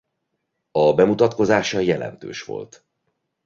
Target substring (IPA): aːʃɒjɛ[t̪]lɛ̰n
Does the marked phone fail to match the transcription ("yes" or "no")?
yes